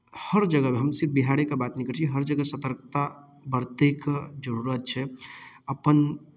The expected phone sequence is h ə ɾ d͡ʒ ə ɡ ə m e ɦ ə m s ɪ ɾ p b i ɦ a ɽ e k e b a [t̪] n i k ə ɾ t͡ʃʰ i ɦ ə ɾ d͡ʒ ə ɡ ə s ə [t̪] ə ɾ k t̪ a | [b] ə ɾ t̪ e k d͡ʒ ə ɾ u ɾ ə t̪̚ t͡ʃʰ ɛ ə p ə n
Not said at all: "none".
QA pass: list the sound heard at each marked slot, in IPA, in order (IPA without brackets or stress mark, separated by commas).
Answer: t̪, t̪, b